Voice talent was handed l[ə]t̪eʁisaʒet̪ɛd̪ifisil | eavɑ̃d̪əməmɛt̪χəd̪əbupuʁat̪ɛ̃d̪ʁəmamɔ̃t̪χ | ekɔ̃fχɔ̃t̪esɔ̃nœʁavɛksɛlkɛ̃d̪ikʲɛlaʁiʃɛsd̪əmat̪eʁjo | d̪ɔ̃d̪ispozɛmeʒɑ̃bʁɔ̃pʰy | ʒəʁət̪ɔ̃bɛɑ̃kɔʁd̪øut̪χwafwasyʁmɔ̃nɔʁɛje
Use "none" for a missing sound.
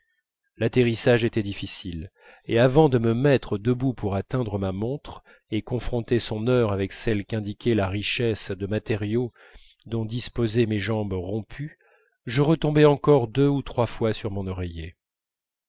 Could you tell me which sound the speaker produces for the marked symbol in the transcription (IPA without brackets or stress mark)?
a